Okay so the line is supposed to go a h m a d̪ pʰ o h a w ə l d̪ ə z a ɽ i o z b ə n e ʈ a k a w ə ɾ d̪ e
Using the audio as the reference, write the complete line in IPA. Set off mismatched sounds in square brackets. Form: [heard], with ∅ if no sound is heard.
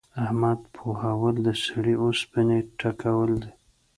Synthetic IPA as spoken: a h m a d̪ pʰ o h a w ə l d̪ ə [s] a ɽ i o [s] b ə n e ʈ a k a w ə [l] d̪ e